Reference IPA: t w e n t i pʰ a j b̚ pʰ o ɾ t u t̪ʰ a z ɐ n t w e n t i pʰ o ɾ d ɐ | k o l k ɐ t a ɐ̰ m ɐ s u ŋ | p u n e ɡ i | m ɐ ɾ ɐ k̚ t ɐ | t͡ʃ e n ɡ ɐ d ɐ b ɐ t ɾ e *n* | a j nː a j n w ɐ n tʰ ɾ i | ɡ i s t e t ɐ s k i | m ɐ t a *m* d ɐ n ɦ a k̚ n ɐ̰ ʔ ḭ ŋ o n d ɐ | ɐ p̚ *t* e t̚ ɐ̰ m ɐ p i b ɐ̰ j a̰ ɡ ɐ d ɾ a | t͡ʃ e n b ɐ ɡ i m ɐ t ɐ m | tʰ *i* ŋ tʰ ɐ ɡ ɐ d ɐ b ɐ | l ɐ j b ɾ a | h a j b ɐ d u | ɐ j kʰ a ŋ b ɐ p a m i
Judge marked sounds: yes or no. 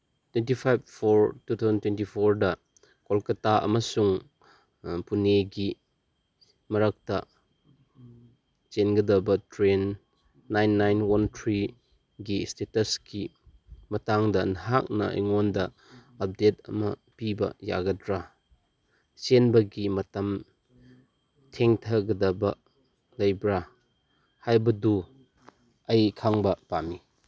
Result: no, no, no, no

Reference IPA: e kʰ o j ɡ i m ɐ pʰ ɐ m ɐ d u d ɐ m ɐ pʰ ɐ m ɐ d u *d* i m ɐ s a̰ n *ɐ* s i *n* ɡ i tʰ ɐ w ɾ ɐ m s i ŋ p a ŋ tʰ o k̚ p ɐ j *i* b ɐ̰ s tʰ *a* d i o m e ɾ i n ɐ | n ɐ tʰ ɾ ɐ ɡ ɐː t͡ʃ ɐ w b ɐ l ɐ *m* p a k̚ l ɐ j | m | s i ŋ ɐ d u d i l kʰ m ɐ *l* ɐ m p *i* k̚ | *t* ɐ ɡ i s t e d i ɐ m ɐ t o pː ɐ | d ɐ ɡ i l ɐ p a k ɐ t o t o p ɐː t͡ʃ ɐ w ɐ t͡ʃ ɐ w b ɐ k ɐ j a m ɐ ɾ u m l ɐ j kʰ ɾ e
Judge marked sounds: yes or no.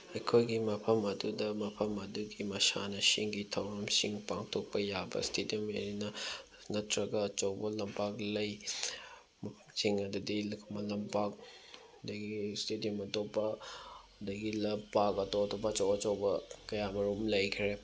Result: no, yes, no, no, no, yes, yes, no, no

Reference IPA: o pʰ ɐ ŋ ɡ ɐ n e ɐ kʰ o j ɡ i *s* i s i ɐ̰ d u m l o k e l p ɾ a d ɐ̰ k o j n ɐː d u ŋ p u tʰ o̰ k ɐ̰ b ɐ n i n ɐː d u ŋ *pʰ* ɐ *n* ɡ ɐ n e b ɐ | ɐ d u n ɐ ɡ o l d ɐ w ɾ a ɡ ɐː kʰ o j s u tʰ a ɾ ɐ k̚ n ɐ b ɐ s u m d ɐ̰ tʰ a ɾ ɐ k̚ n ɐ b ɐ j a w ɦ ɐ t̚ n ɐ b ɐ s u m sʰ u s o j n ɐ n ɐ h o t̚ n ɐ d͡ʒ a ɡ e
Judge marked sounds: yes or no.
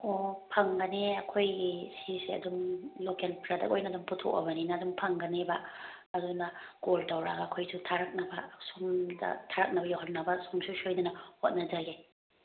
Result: yes, yes, no

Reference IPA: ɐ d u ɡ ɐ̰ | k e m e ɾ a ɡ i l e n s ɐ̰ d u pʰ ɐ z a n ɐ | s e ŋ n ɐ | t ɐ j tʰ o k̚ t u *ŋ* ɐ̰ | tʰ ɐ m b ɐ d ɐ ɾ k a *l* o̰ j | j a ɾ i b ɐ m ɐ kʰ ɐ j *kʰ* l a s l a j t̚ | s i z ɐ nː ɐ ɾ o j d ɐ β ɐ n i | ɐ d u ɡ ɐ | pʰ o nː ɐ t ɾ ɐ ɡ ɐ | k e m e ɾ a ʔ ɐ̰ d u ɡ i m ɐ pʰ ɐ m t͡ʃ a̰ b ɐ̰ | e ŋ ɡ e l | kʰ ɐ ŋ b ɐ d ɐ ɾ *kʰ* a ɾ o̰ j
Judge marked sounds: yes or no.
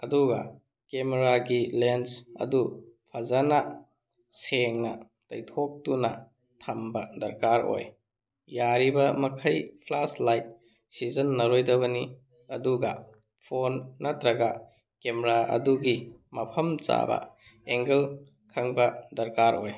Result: no, no, no, no

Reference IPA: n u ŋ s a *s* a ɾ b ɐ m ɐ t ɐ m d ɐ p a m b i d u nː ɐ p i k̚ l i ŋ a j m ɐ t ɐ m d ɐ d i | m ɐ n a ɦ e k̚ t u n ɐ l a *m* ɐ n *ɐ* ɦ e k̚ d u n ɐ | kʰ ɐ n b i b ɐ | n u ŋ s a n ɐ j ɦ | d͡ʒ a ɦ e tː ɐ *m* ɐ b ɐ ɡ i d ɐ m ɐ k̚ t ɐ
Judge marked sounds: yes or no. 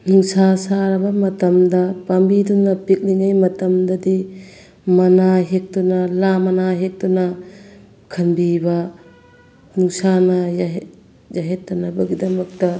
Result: yes, yes, no, no

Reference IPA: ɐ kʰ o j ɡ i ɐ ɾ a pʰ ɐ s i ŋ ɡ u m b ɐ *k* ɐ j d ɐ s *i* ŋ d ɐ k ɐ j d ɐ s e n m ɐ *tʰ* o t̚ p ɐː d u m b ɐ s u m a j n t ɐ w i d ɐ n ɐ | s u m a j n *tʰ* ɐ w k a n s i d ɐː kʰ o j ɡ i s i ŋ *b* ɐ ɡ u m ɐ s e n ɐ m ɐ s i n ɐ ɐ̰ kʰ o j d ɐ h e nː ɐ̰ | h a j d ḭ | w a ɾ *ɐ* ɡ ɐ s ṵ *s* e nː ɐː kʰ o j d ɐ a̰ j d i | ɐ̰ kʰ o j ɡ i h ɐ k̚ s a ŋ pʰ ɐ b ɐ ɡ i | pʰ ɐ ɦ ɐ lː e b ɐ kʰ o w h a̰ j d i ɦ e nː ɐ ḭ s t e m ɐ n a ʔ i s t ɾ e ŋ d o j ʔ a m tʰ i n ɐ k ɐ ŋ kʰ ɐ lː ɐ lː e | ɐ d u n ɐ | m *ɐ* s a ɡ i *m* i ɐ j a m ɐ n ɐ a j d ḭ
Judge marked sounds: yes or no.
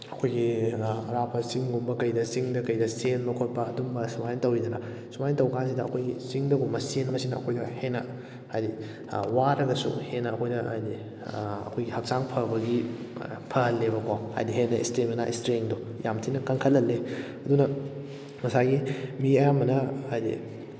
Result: yes, yes, no, no, no, yes, no, yes, yes

